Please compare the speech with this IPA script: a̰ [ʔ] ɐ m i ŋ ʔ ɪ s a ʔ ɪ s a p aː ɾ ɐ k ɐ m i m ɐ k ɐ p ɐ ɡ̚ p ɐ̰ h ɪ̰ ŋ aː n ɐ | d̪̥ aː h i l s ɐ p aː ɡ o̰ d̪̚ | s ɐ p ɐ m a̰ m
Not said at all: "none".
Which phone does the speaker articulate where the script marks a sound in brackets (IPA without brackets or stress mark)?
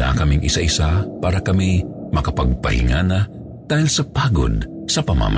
k